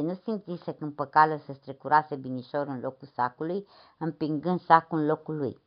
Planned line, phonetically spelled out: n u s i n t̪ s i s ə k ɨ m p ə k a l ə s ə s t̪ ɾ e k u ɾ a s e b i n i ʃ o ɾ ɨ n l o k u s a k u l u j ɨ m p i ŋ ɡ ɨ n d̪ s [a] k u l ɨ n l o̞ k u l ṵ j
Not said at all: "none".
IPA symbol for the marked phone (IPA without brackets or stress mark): a